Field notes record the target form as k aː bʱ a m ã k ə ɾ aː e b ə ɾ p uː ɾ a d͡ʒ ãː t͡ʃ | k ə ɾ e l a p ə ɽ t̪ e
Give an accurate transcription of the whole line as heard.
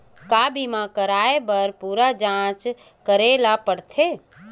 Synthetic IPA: k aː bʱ i m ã k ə ɾ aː e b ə ɾ p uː ɾ a d͡ʒ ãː t͡ʃ | k ə ɾ e l a p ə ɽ t̪ʰ e